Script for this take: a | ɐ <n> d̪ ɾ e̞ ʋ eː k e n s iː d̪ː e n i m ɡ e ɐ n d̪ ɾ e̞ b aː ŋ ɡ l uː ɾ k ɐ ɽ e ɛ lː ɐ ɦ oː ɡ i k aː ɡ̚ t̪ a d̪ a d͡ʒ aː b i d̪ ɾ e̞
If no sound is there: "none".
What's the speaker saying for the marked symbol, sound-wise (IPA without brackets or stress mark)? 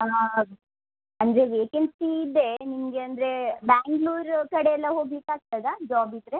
n